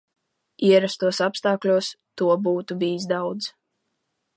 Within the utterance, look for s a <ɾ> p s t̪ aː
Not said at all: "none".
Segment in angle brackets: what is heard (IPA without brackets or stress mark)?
none